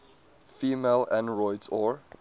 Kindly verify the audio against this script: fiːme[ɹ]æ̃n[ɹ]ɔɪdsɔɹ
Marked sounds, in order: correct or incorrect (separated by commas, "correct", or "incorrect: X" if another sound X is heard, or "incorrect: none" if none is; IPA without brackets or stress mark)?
incorrect: l, correct